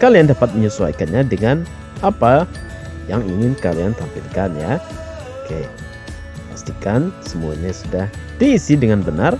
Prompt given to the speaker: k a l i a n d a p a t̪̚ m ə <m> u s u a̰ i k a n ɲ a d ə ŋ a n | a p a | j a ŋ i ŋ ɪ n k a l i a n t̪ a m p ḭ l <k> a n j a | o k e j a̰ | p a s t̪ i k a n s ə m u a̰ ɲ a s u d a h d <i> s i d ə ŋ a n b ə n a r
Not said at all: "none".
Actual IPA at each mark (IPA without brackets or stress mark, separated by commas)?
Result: ɲ, k, iː